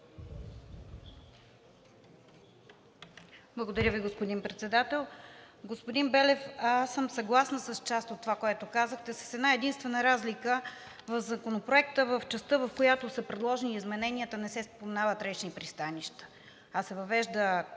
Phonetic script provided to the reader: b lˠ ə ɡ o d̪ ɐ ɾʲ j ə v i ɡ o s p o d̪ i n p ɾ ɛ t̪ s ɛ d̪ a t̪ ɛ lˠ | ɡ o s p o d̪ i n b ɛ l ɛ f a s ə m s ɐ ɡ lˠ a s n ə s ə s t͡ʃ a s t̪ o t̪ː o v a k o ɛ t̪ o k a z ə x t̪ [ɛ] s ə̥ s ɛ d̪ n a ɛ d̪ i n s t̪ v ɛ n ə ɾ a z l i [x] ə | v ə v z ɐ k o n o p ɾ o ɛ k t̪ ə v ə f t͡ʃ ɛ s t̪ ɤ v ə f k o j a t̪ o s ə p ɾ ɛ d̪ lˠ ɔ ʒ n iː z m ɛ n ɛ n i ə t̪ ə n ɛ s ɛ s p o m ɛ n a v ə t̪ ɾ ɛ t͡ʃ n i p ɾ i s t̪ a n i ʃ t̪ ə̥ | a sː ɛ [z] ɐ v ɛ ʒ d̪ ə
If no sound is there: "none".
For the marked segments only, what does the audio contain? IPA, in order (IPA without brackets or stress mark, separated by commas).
ɛ, k, v